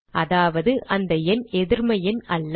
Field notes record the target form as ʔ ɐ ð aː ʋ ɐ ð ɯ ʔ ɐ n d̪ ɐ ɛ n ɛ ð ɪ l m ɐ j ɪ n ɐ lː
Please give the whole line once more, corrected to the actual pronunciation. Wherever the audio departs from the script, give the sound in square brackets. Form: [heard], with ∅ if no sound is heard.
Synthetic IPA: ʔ ɐ ð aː ʋ ɐ ð ɯ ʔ ɐ n d̪ ɐ ɛ n ɛ ð ɪ [ɾ] m ɐ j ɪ n ɐ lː